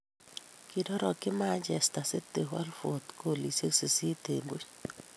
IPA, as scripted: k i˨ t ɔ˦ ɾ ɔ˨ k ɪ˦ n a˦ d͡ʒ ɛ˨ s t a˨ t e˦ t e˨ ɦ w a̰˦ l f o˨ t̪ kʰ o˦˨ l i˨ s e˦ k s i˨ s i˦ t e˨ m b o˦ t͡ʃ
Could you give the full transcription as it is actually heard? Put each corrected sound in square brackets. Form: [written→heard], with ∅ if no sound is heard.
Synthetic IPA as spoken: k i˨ [t→d] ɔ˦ ɾ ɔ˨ k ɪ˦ [n→m] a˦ d͡ʒ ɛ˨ s t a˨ [t→s] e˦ t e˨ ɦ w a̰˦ l f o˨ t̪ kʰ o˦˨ l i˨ s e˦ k s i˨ s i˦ t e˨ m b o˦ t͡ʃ